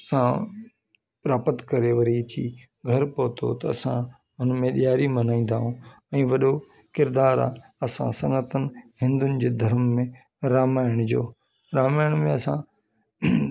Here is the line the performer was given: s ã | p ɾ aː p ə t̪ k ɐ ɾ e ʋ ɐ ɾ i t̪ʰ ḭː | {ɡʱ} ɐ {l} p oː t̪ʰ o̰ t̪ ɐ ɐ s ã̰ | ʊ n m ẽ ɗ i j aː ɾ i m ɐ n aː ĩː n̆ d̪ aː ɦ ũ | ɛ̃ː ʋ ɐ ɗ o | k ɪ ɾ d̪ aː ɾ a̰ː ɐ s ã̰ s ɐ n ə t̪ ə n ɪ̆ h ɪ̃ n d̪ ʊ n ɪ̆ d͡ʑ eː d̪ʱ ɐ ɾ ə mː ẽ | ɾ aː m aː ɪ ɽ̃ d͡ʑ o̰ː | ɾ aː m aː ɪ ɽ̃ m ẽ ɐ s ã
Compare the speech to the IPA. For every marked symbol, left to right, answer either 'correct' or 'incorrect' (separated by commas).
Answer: correct, incorrect